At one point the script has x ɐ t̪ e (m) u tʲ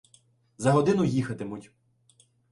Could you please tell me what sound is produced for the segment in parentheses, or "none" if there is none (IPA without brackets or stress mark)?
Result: m